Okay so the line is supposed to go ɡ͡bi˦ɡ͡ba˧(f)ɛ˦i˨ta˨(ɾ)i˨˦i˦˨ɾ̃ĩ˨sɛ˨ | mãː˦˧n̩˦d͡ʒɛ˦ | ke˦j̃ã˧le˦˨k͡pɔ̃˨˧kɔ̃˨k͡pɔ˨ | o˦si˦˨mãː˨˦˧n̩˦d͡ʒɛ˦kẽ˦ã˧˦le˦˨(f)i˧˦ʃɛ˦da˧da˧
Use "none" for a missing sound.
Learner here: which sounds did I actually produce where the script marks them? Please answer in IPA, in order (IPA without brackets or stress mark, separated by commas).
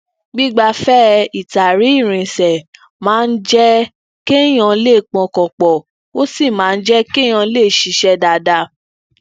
f, ɾ, ʃ